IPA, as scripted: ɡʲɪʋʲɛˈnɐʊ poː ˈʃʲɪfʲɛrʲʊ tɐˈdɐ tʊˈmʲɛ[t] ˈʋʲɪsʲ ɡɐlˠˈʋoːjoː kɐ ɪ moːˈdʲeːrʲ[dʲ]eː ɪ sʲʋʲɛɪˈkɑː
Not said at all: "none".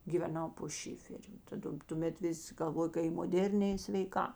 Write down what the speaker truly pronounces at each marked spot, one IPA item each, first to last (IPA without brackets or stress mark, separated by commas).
t, nʲ